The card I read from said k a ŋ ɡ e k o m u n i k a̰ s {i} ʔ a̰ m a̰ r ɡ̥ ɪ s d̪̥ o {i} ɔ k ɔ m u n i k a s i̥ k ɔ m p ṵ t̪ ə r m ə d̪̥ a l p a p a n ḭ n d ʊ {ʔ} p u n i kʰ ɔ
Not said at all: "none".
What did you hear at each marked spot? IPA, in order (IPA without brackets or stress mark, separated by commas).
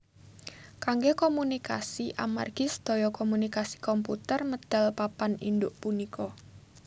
i, j, ʔ